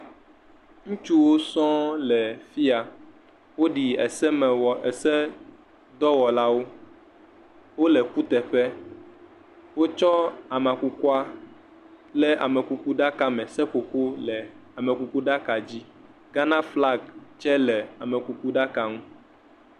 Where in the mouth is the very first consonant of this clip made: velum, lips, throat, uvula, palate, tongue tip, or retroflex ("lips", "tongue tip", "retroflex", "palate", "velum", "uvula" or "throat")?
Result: velum